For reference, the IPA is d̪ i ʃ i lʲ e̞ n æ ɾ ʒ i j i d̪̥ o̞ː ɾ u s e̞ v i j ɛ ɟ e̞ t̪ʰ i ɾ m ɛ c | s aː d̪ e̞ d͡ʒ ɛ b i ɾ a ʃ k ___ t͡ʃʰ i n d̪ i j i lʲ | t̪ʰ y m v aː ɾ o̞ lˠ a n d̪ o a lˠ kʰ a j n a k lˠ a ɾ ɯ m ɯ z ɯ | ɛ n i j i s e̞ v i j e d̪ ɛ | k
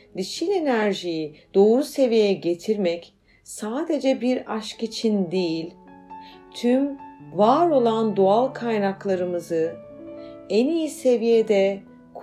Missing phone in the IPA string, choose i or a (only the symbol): i